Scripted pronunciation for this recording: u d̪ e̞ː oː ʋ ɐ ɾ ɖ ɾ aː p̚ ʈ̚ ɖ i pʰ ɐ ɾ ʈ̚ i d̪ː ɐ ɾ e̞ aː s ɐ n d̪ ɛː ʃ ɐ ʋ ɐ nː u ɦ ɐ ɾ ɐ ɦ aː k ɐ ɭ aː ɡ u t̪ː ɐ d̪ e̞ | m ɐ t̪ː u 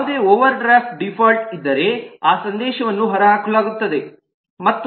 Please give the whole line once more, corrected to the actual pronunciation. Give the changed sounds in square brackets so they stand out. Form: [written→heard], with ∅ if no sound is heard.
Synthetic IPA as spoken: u d̪ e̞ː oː ʋ ɐ ɾ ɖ ɾ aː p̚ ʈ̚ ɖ i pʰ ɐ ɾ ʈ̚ i d̪ː ɐ ɾ e̞ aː s ɐ n d̪ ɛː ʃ ɐ ʋ ɐ nː u ɦ ɐ ɾ ɐ ɦ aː k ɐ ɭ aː ɡ u t̪ː ɐ d̪ e̞ | m ɐ t̪ː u